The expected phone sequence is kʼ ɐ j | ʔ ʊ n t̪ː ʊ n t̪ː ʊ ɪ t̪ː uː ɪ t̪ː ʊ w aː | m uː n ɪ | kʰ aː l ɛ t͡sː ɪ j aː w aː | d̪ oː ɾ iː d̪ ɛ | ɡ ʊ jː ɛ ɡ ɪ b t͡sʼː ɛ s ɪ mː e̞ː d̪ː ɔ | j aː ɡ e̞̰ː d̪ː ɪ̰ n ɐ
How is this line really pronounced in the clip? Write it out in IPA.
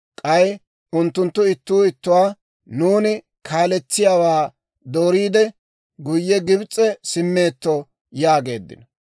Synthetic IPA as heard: kʼ ɐ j | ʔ ʊ n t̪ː ʊ n t̪ː ʊ ɪ t̪ː uː ɪ t̪ː ʊ w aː | n uː n ɪ | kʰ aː l ɛ t͡sː ɪ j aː w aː | d̪ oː ɾ iː d̪ ɛ | ɡ ʊ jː ɛ ɡ ɪ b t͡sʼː ɛ s ɪ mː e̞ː t̪ː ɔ | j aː ɡ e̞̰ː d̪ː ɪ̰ n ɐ